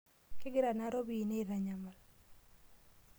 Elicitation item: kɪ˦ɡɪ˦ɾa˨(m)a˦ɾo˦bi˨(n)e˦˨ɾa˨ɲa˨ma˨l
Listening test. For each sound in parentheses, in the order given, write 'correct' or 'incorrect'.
incorrect, correct

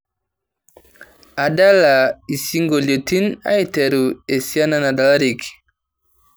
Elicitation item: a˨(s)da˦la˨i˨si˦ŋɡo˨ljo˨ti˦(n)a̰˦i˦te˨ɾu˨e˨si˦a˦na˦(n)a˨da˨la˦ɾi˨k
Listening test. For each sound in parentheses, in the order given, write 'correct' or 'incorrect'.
incorrect, correct, correct

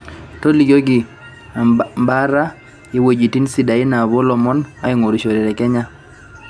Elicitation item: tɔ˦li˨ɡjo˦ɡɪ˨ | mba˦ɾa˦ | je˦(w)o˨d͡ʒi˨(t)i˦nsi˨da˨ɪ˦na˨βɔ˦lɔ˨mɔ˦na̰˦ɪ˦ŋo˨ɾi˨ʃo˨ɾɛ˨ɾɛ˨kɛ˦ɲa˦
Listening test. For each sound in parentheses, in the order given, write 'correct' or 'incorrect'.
correct, correct

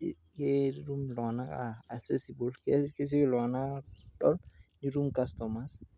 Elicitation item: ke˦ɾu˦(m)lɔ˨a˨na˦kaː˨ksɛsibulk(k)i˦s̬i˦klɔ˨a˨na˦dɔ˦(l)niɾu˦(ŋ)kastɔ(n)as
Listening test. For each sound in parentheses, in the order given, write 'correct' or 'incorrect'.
correct, correct, correct, incorrect, incorrect

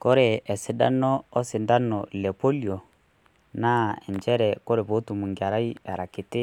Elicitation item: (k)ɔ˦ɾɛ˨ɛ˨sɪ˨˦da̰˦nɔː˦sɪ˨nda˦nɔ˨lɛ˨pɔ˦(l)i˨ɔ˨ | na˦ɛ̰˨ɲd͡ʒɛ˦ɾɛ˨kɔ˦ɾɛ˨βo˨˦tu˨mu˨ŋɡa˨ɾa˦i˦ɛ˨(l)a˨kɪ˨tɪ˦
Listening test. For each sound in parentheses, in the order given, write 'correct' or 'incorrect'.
correct, correct, incorrect

